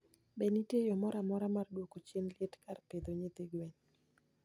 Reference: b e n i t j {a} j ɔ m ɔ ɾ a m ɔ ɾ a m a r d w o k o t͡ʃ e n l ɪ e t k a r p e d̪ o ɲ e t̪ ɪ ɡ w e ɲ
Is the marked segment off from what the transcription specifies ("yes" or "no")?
yes